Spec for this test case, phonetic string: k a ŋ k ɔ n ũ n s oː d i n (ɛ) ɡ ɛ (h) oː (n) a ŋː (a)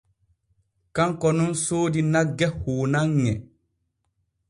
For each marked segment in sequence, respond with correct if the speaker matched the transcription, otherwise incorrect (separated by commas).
incorrect, correct, correct, incorrect